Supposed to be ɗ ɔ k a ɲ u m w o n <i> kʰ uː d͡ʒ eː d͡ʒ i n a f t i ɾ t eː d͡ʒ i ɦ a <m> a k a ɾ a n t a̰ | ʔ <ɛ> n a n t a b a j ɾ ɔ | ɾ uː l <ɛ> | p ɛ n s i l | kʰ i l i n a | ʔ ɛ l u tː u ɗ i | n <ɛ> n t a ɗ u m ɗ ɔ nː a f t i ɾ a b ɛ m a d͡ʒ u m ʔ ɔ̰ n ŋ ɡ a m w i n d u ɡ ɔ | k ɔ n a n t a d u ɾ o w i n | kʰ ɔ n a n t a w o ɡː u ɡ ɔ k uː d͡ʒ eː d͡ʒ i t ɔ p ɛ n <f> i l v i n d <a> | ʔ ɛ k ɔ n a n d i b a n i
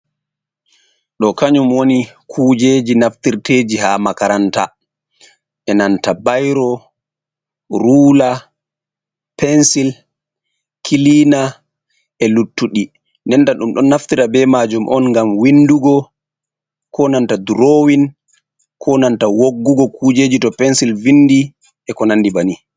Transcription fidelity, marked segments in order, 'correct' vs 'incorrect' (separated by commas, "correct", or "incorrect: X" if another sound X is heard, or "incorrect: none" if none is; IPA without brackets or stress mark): correct, correct, correct, incorrect: a, correct, incorrect: s, incorrect: i